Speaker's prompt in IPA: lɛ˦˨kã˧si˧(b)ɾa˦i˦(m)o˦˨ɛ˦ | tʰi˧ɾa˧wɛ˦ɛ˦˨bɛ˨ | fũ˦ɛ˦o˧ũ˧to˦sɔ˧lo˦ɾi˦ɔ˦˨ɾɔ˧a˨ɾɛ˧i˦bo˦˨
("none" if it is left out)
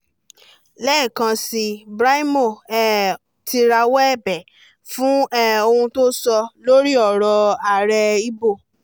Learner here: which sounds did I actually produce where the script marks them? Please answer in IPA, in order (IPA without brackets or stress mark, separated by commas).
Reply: b, m